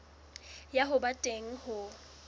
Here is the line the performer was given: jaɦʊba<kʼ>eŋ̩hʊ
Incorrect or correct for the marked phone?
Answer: incorrect: tʼ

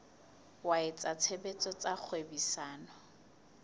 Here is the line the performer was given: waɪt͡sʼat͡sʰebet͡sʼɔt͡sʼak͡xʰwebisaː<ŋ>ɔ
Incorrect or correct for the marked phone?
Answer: incorrect: n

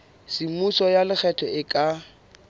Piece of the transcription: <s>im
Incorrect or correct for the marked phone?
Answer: correct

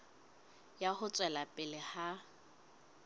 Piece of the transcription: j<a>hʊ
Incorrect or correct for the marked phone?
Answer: correct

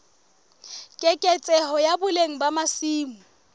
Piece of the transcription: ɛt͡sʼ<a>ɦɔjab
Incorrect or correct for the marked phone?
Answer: incorrect: ɛ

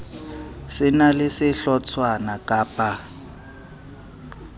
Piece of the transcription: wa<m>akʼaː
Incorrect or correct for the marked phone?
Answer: incorrect: n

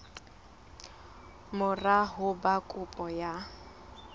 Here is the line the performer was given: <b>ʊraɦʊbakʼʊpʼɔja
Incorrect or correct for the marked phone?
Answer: incorrect: m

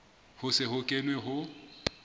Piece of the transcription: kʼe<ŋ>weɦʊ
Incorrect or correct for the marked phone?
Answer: incorrect: n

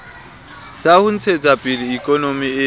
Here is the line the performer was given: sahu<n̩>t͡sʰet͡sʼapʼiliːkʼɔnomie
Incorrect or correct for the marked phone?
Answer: correct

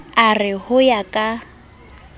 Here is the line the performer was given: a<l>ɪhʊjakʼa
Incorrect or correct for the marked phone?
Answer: incorrect: r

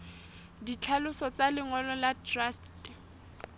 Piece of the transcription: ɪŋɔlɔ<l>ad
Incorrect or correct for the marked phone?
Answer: correct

